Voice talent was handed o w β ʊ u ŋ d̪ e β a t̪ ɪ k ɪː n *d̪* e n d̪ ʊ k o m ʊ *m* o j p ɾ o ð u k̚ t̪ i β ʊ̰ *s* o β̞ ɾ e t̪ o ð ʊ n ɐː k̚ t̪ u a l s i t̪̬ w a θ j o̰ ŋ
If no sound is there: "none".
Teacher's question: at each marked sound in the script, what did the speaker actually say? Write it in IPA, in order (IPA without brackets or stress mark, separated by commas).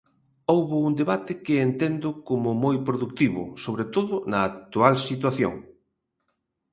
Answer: t̪, m, s